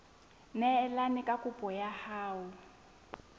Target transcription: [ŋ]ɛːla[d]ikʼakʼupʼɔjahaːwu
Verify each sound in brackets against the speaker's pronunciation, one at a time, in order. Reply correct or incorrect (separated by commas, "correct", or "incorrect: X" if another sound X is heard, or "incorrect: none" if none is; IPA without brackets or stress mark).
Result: incorrect: n, incorrect: n